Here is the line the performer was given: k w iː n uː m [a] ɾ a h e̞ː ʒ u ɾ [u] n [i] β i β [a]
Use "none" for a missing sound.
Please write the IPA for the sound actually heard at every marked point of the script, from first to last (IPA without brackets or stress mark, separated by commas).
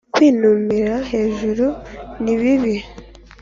i, u, i, i